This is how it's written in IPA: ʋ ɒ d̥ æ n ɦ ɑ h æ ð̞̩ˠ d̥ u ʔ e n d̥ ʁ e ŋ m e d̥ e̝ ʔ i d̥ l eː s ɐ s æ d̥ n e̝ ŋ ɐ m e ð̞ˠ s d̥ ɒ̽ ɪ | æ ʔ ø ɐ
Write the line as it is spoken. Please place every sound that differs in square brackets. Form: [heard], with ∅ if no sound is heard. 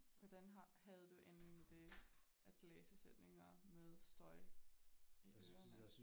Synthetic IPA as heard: ʋ ɒ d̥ æ n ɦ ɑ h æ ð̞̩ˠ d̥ u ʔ e n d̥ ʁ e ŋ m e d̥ e̝ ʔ [æ] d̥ l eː s [ə] s [e] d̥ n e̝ ŋ ɐ m e ð̞ˠ s d̥ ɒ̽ ɪ | [i] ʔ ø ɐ